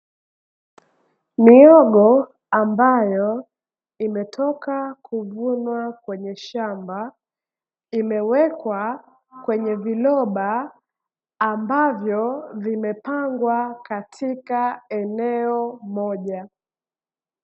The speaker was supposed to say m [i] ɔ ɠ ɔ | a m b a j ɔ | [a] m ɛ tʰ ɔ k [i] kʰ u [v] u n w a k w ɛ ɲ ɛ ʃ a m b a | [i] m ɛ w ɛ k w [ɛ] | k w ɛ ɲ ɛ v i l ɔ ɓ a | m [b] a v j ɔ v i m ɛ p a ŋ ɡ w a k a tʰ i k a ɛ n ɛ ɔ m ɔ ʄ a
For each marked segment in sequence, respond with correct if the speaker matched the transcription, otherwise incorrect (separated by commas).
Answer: correct, incorrect, incorrect, correct, correct, incorrect, correct